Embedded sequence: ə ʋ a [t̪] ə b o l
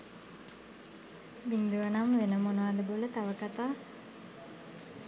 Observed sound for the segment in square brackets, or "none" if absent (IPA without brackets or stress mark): d̪